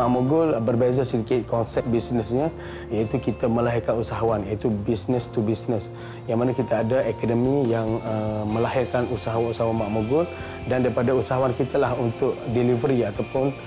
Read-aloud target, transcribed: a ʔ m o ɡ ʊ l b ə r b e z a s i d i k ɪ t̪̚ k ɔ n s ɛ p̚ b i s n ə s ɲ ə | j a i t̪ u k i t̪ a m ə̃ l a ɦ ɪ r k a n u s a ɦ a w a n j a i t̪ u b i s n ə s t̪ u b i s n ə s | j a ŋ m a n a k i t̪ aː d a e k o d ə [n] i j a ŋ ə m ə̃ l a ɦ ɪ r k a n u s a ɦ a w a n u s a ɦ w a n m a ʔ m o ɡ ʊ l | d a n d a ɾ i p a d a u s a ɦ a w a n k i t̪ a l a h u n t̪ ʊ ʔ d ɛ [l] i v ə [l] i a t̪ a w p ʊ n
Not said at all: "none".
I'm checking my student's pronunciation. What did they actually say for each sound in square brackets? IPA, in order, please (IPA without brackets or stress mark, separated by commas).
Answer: m, l, ɾ